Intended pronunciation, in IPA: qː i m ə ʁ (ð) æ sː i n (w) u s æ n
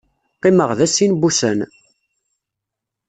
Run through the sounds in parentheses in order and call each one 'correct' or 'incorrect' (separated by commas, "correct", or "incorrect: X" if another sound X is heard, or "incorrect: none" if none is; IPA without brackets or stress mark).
correct, incorrect: b